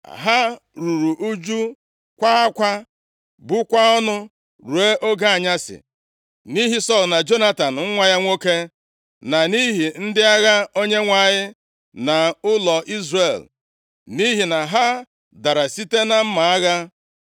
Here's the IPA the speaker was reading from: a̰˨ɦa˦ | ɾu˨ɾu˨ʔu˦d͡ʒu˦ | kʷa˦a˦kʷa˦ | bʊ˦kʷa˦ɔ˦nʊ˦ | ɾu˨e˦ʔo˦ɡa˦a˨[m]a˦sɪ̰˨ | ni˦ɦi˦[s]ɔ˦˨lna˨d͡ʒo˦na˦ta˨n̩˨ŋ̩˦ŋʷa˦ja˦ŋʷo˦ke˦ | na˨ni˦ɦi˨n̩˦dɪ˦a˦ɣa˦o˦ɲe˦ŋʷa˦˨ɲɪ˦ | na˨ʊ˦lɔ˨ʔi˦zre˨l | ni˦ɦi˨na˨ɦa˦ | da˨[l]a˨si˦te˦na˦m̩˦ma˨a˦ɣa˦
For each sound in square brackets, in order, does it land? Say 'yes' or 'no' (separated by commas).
no, yes, no